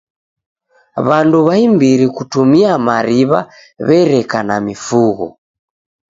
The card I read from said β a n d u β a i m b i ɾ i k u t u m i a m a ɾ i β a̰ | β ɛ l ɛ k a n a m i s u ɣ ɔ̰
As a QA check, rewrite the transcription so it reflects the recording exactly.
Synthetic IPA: β a n d u β a i m b i ɾ i k u t u m i a m a ɾ i β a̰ | β ɛ ɾ ɛ k a n a m i f u ɣ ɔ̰